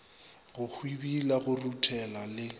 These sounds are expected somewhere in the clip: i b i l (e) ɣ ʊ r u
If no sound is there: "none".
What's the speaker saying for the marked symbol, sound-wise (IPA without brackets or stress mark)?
a